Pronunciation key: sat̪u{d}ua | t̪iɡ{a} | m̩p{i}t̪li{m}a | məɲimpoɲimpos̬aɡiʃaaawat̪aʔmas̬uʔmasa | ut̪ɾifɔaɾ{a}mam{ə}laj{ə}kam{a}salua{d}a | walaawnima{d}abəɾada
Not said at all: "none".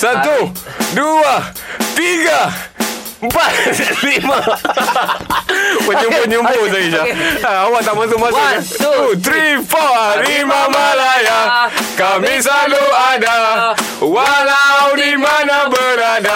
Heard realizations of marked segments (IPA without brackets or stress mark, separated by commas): d, a, a, m, i, a, a, i, d, n